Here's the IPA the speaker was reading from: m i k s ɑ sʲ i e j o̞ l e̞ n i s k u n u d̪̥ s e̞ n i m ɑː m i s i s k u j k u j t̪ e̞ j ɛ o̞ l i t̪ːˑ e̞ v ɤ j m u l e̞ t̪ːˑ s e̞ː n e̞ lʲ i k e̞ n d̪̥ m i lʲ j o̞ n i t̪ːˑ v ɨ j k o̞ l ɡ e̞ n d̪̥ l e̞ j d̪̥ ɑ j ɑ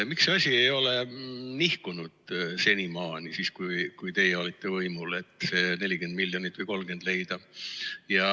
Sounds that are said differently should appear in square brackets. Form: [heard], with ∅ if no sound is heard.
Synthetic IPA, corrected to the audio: m i k s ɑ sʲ i e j o̞ l e̞ n i [h] k u n u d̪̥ s e̞ n i m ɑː [n] i s i s k u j k u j t̪ e̞ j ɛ o̞ l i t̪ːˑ e̞ v ɤ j m u l e̞ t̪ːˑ s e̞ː n e̞ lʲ i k e̞ n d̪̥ m i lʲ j o̞ n i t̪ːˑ v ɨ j k o̞ l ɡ e̞ n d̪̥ l e̞ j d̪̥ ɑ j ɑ